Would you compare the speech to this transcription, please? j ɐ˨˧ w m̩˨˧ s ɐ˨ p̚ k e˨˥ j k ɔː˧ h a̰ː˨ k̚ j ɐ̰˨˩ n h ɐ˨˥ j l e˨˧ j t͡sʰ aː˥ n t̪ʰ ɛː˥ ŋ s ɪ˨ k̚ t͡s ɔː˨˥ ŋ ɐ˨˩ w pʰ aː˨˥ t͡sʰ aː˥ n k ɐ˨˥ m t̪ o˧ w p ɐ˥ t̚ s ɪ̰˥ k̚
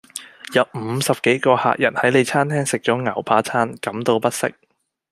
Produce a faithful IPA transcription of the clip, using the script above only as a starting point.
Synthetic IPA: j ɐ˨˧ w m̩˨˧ s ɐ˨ p̚ k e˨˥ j k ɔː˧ h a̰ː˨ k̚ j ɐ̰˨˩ n h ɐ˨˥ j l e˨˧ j t͡sʰ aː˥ n t̪ʰ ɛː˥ ŋ s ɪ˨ k̚ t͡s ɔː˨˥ ŋ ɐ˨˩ w pʰ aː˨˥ t͡sʰ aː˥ n k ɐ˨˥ m t̪ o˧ w p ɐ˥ t̚ s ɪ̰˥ k̚

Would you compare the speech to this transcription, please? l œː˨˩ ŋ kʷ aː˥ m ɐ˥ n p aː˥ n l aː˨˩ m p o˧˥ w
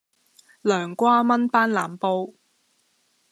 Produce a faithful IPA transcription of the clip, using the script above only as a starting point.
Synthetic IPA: l œː˨˩ ŋ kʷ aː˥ m ɐ˥ n p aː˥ n l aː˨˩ m p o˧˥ w

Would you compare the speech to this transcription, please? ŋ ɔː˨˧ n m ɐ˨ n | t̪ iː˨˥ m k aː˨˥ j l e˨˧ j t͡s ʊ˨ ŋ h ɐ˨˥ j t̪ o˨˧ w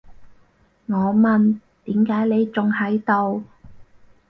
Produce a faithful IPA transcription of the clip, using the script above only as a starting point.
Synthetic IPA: ŋ ɔː˨˧ m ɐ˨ n | t̪ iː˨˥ m k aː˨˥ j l e˨˧ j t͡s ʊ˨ ŋ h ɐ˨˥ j t̪ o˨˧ w

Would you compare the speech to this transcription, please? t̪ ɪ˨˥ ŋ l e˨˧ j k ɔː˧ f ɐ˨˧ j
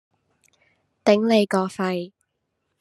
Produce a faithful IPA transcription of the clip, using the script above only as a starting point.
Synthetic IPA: t̪ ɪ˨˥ ŋ l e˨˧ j k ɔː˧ f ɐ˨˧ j

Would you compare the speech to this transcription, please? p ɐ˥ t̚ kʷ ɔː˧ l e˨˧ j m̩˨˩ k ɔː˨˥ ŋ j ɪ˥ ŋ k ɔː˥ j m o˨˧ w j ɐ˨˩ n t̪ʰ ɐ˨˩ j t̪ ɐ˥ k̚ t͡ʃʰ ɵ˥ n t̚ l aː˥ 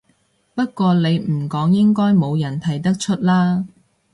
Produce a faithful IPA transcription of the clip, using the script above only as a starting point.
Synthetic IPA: p ɐ˥ t̚ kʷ ɔː˧ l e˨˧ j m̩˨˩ k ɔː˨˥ ŋ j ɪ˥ ŋ k ɔː˥ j m o˨˧ w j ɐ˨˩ n t̪ʰ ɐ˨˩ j t̪ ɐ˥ k̚ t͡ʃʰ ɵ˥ t̚ l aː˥

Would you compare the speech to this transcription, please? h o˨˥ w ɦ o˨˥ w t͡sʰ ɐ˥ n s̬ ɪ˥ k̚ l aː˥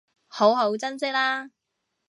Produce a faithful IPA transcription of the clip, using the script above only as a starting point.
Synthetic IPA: h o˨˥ w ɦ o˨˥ w t͡s ɐ˥ n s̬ ɪ˥ k̚ l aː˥

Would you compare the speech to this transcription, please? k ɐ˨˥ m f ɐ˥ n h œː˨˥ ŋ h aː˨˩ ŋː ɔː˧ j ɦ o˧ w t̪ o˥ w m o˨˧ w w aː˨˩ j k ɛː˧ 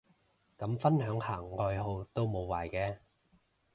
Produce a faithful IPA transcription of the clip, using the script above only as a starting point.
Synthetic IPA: k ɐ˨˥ m f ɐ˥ n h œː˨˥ ŋ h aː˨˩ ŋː ɔː˧ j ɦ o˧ w t̪ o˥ w m o˨˧ w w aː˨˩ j k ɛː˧

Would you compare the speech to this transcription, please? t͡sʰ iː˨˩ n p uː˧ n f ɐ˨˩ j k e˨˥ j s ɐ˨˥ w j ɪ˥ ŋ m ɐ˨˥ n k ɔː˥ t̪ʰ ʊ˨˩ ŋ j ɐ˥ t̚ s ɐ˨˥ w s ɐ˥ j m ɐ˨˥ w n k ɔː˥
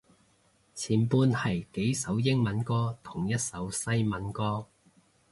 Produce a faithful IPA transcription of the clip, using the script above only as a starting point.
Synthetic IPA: t͡sʰ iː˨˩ n p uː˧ n h ɐ˨˩ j k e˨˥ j s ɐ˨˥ w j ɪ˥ ŋ m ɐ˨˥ n k ɔː˥ t̪ʰ ʊ˨˩ ŋ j ɐ˥ t̚ s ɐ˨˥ w s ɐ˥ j m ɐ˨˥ n k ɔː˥

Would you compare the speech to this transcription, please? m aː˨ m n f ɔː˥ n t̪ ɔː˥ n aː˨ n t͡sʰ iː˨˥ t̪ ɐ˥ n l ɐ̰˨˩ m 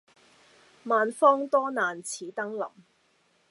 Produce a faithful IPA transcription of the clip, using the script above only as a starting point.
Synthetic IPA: m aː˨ n f ɔː˥ ŋ t̪ ɔː˥ n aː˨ n t͡sʰ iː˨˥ t̪ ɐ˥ ŋ l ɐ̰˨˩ m

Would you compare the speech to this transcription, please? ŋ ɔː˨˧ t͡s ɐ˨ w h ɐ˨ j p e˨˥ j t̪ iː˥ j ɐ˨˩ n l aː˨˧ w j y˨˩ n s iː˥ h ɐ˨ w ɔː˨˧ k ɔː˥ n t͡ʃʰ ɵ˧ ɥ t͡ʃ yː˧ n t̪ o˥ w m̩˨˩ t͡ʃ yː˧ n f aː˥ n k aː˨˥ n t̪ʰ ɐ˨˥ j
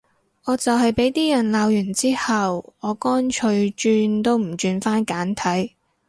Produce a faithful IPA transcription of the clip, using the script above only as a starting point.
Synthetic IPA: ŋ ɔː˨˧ t͡s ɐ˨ w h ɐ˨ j p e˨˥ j t̪ iː˥ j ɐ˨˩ n l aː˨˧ w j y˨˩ n t͡s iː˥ h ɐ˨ w ɔː˨˧ k ɔː˥ n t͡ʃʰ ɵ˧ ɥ t͡ʃ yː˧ n t̪ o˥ w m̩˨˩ t͡ʃ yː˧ n f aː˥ n k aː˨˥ n t̪ʰ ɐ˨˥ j

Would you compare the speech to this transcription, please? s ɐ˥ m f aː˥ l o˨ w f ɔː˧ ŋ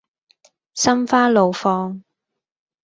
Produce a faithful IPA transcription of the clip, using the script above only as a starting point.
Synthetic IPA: s ɐ˥ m f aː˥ l o˨ w f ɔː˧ ŋ

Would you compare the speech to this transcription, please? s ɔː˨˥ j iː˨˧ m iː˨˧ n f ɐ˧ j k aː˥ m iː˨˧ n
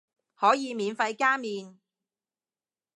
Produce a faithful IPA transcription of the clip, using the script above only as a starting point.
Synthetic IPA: h ɔː˨˥ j iː˨˧ m iː˨˧ n f ɐ˧ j k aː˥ m iː˨˧ n

